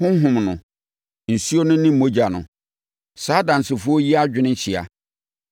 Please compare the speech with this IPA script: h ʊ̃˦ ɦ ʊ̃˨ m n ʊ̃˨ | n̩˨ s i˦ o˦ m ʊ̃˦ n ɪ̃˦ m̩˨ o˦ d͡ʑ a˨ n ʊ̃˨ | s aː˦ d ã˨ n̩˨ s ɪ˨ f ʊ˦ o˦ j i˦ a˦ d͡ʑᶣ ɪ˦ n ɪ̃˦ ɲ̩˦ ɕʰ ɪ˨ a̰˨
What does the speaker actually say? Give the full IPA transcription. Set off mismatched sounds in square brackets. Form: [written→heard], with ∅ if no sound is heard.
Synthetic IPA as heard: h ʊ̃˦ ɦ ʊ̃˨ m n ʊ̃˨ | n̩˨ s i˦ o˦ [m→n] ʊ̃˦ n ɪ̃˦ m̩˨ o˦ d͡ʑ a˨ n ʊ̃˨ | s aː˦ d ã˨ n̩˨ s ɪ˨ f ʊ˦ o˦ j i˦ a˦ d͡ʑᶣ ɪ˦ n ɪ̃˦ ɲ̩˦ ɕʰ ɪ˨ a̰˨